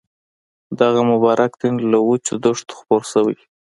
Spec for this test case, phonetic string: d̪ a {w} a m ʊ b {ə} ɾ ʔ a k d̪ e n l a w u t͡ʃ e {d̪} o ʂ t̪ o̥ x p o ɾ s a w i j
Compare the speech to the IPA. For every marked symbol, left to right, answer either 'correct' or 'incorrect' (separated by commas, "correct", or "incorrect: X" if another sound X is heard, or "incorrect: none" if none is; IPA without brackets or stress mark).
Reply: incorrect: ɣ, incorrect: ɑ, correct